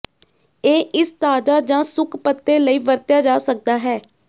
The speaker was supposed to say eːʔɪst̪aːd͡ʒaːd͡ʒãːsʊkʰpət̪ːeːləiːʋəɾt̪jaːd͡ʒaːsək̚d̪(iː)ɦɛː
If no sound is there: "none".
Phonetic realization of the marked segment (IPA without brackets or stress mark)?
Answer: aː